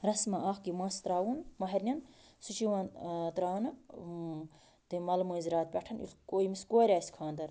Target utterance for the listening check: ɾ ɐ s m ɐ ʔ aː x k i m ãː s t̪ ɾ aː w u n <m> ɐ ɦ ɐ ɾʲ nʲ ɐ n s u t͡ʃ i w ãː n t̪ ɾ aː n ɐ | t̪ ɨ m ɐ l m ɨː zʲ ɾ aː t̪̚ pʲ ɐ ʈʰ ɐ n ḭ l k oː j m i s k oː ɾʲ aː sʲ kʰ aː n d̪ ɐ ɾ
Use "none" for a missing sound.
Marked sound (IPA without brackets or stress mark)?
m